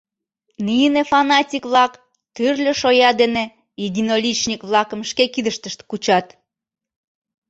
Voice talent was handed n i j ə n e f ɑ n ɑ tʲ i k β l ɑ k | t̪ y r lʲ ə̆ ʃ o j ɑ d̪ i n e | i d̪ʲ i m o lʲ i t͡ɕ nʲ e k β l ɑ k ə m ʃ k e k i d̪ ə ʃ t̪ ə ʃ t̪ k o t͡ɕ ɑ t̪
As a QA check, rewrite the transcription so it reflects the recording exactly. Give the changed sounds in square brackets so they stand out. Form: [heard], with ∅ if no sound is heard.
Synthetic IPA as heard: n i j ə n e f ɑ n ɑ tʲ i k β l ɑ k | t̪ y r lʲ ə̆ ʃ o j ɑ d̪ [e] n e | i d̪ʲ i [n] o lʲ i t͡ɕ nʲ [i] k β l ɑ k ə m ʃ k e k i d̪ ə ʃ t̪ ə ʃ t̪ k [u] t͡ɕ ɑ t̪